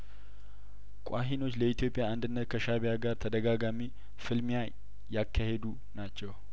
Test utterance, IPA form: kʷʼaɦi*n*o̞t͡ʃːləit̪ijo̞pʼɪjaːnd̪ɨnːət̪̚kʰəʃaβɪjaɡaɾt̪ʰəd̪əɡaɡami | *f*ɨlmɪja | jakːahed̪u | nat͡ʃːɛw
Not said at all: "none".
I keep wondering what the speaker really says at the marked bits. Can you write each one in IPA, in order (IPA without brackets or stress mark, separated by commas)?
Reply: n, f